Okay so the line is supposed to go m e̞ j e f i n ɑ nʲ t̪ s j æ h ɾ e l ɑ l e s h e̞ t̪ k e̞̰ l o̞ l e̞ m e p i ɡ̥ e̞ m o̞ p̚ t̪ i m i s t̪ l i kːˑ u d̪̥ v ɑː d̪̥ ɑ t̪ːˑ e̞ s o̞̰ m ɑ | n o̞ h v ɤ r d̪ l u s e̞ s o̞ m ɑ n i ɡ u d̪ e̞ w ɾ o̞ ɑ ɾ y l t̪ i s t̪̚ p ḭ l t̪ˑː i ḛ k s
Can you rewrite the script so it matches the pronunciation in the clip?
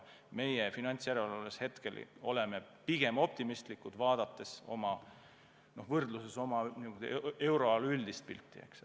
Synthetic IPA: m e̞ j e f i n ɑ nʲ t̪ s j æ ɾ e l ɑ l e s h e̞ t̪ k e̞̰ l o̞ l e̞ m e p i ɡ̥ e̞ m o̞ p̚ t̪ i m i s t̪ l i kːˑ u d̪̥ v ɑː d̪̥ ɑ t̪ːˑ e̞ s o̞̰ m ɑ | n o̞ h v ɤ r d̪ l u s e̞ s o̞ m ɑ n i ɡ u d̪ e̞ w ɾ o̞ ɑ l y l d̪ i s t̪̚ p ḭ l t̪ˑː i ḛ k s